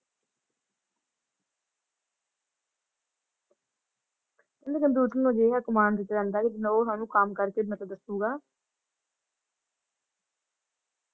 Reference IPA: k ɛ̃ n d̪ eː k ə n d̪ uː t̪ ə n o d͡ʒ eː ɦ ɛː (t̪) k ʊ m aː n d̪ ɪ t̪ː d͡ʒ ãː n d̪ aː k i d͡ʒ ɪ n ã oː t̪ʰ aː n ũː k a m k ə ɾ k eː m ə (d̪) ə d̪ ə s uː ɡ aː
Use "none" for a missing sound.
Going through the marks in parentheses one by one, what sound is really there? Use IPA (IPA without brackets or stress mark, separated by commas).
none, t̪